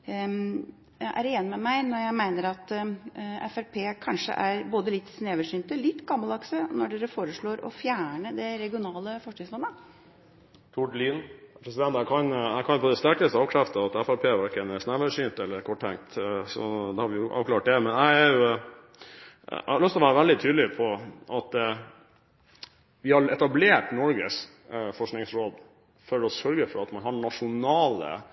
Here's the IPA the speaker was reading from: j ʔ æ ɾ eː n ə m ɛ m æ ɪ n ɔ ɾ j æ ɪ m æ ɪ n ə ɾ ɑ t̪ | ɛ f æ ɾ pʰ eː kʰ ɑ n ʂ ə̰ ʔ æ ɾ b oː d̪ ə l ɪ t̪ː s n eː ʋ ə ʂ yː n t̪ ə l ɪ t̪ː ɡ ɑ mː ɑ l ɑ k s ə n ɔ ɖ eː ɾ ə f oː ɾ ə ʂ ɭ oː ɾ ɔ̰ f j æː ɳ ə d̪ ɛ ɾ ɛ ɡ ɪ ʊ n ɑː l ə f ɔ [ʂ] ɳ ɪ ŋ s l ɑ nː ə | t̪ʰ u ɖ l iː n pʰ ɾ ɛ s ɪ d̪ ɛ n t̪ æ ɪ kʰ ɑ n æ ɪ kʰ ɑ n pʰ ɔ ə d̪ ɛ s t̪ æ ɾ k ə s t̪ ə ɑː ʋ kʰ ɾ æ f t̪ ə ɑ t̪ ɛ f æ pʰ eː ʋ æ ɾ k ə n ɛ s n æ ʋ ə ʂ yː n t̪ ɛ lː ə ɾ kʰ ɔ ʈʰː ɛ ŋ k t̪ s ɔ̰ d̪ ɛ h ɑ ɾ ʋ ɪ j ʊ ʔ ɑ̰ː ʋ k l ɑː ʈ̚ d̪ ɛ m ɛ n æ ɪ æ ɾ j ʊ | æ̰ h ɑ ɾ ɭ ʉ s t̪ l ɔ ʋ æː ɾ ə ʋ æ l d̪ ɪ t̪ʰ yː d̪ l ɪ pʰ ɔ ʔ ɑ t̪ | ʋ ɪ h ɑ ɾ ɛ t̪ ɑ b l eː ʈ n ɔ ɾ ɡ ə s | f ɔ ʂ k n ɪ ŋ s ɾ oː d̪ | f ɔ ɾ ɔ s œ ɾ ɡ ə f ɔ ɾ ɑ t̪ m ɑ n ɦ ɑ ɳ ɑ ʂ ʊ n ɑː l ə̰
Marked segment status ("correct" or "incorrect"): correct